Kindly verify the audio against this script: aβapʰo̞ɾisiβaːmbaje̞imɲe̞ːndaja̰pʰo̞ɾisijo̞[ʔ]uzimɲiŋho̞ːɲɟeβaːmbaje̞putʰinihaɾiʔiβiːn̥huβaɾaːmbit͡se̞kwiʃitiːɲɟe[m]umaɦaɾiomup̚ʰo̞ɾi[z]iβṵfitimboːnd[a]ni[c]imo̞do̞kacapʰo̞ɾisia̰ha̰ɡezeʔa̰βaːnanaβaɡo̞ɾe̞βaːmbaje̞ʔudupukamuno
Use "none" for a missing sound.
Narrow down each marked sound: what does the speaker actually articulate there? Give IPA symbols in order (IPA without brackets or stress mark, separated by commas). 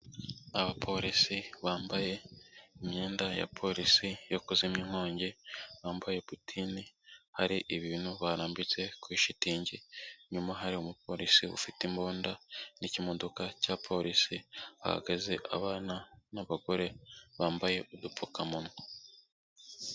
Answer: k, ɲ, s, a, c